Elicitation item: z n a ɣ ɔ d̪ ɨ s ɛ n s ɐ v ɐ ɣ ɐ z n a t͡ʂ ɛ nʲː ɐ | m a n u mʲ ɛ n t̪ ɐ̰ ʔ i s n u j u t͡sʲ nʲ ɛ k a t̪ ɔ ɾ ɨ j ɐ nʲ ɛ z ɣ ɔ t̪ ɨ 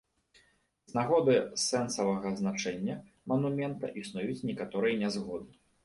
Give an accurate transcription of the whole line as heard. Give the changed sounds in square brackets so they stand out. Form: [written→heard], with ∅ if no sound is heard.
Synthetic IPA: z n a ɣ ɔ d̪ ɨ s ɛ n s ɐ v ɐ ɣ ɐ z n a t͡ʂ ɛ nʲː ɐ | m [a→ɐ] n u mʲ ɛ n t̪ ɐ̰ ʔ i s n u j u t͡sʲ nʲ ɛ k a t̪ ɔ ɾ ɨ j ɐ nʲ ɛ z ɣ ɔ [t̪→d̪] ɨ